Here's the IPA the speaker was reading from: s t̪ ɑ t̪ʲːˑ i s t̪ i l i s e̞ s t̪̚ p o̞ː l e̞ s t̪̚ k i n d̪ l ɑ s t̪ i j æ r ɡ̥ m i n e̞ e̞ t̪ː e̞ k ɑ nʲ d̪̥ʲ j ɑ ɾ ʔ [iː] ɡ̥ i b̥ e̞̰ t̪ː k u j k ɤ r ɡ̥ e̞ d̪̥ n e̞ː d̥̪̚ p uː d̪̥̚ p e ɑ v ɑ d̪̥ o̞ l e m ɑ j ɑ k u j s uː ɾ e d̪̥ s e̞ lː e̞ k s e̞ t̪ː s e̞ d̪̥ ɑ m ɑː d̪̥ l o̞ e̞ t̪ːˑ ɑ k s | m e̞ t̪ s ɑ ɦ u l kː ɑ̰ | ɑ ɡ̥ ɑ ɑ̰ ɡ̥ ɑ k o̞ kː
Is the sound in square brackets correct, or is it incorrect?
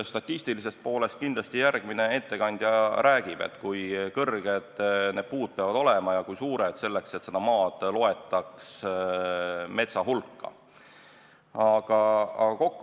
incorrect